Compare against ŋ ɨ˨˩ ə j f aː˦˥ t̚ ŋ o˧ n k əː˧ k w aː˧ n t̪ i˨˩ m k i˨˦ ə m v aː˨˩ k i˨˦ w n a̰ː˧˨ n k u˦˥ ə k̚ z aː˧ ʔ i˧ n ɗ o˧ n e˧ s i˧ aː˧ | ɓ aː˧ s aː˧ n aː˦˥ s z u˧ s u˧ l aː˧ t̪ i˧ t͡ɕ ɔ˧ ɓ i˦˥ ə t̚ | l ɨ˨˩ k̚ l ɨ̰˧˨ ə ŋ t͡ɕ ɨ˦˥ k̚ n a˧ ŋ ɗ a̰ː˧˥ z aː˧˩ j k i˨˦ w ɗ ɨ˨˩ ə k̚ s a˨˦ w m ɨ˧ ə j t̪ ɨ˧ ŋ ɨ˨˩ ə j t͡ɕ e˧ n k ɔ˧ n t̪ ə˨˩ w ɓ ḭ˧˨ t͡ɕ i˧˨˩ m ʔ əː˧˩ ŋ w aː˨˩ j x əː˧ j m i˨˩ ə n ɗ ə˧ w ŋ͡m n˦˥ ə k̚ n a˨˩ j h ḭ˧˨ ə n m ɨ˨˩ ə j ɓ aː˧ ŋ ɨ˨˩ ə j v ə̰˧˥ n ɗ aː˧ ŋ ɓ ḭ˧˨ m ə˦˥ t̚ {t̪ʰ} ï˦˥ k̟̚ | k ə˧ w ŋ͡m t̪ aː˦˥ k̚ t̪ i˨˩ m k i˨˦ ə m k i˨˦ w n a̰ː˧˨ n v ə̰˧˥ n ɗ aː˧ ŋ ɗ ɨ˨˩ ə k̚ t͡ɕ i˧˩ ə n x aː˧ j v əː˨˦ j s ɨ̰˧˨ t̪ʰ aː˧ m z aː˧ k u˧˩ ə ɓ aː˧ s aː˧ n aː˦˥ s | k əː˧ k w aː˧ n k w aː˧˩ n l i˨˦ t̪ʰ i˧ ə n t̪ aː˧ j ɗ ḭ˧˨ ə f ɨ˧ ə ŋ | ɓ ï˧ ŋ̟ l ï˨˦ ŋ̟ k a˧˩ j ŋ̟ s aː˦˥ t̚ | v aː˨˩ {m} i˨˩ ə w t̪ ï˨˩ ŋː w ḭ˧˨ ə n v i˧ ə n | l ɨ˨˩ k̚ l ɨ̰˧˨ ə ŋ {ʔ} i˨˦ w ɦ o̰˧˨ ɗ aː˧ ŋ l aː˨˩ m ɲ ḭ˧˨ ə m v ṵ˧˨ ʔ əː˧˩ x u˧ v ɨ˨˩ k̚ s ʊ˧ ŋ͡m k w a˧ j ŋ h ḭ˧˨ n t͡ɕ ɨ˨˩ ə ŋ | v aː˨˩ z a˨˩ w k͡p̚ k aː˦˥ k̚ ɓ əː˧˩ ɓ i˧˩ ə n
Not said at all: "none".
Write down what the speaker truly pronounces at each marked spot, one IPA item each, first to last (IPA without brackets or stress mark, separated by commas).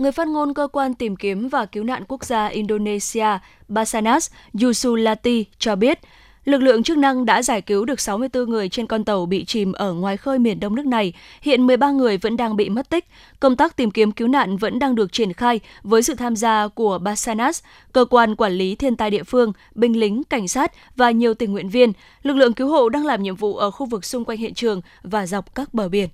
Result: t̪, ɲ, k